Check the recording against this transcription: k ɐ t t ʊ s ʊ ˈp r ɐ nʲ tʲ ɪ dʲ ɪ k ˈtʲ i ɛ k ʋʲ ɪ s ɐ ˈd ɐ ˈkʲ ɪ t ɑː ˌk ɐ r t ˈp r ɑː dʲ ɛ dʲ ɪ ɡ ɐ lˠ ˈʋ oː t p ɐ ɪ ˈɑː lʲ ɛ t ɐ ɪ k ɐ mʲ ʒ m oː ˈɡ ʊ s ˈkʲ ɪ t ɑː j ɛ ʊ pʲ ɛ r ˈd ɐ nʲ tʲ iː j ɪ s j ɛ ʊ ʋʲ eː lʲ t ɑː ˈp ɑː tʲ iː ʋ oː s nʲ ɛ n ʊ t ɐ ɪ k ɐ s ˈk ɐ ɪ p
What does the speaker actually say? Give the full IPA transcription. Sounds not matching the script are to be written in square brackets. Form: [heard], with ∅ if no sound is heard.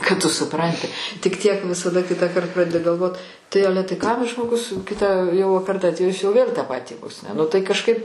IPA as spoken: k ɐ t t ʊ s ʊ ˈp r ɐ nʲ tʲ ɪ [tʲ] ɪ k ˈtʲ i ɛ k ʋʲ ɪ s ɐ ˈd ɐ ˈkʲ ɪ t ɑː ˌk ɐ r t ˈp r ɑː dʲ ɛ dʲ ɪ ɡ ɐ lˠ ˈʋ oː t [t] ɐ ɪ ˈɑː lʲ ɛ t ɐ ɪ k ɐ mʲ ʒ m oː ˈɡ ʊ s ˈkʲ ɪ t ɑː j ɛ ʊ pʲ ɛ r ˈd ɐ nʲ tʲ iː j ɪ s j ɛ ʊ ʋʲ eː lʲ t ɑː ˈp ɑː tʲ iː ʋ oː s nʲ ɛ n ʊ t ɐ ɪ k ɐ [ʃ] ˈk ɐ ɪ p